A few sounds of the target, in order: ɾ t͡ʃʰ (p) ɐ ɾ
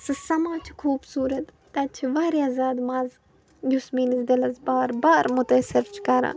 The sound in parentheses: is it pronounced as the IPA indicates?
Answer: no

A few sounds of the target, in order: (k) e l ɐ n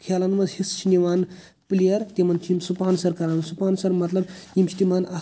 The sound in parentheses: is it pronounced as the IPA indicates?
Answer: no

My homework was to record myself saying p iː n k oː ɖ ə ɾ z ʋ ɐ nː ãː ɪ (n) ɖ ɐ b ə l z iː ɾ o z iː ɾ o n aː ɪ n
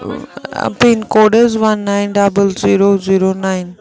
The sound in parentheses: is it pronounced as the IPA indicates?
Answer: yes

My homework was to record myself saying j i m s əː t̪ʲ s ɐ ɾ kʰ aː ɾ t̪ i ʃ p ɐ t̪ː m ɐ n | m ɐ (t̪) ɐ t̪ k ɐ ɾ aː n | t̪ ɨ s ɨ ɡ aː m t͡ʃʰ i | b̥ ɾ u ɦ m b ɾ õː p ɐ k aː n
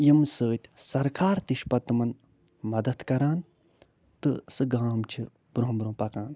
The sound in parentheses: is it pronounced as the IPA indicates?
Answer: no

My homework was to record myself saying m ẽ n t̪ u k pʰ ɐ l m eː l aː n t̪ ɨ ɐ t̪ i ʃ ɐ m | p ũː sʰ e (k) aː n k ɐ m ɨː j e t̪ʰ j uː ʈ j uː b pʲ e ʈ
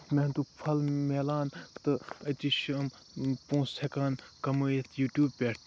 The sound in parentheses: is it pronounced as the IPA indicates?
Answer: yes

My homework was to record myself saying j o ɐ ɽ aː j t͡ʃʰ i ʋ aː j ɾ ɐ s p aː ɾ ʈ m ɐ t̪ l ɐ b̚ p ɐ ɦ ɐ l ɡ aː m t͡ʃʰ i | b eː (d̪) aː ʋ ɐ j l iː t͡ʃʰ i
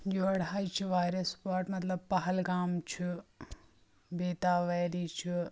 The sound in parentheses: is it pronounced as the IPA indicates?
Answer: no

